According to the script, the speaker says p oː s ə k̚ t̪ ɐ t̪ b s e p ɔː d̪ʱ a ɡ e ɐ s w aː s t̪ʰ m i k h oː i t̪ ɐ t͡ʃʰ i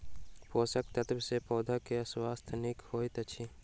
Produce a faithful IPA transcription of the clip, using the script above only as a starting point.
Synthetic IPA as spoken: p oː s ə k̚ t̪ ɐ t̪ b s e p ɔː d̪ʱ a k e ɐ s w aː s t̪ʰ n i k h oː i t̪ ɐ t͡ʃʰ i